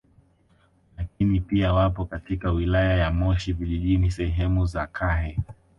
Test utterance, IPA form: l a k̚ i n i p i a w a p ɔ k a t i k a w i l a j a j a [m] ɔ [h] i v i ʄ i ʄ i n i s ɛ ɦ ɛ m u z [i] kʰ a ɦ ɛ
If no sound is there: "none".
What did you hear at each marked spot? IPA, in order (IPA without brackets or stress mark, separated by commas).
m, ʃ, a